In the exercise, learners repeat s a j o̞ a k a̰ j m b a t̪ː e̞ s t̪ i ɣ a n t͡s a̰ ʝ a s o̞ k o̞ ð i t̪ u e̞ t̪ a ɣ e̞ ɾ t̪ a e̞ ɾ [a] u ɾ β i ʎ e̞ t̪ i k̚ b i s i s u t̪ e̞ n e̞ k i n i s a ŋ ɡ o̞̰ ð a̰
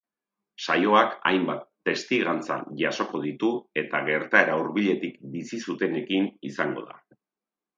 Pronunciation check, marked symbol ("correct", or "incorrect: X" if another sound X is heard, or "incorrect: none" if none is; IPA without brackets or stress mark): correct